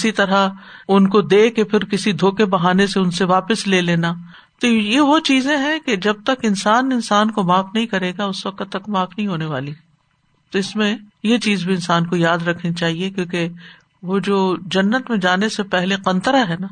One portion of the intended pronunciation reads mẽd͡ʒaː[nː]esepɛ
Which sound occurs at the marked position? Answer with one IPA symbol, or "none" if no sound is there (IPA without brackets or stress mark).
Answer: n